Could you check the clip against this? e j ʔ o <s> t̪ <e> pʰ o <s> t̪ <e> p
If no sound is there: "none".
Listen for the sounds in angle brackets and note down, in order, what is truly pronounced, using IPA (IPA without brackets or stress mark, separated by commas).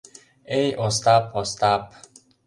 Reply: s, a, s, a